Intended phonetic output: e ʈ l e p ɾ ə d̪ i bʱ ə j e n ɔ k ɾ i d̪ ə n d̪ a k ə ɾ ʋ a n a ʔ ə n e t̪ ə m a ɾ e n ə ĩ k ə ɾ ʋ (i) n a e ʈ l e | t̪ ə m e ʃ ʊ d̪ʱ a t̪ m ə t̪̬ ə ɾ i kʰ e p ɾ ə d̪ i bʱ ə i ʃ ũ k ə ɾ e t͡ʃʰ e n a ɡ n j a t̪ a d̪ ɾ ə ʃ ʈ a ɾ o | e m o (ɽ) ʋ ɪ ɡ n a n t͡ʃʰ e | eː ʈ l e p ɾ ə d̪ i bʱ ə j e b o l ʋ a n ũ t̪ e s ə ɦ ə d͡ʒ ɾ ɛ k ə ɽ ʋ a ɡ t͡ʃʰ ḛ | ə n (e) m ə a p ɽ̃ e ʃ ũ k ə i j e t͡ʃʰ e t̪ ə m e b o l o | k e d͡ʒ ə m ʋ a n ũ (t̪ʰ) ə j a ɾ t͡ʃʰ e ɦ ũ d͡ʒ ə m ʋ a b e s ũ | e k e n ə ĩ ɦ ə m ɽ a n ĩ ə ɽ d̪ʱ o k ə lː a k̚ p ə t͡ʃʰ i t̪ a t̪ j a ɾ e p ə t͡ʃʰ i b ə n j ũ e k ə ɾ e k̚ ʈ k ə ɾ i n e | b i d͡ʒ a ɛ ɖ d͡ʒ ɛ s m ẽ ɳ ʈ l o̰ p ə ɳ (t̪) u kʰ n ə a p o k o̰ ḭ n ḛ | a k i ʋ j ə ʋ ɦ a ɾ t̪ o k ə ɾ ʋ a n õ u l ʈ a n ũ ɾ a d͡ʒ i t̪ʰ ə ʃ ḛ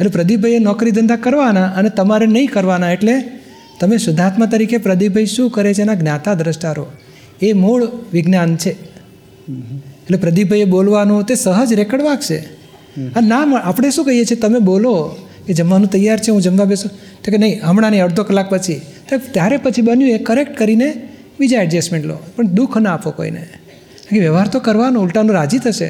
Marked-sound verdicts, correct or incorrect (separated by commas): incorrect, incorrect, incorrect, incorrect, incorrect